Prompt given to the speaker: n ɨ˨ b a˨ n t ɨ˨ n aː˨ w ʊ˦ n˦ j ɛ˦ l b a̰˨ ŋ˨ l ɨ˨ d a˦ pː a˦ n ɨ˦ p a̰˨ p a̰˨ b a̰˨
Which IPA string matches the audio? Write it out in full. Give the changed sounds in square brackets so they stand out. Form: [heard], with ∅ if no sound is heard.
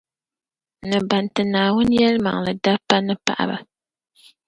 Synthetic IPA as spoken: n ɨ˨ b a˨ n t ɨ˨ n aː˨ w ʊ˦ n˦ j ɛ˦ l [m] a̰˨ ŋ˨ l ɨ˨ d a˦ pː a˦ n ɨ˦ p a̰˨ [ʔ] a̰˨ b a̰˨

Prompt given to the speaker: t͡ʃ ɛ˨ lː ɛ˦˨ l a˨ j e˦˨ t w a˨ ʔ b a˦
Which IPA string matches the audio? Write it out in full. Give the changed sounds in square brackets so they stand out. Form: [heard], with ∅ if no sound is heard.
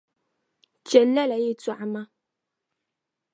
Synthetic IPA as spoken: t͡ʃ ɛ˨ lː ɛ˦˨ l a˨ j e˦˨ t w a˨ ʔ [m] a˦

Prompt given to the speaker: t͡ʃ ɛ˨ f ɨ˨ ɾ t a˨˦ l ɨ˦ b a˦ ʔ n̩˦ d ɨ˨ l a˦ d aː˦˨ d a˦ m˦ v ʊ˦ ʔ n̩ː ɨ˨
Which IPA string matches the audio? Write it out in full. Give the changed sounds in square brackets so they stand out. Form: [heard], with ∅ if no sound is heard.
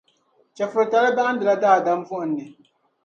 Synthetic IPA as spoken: t͡ʃ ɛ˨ f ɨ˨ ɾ t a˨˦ l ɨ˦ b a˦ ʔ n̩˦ d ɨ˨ l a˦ d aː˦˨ d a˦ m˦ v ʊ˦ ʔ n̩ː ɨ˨

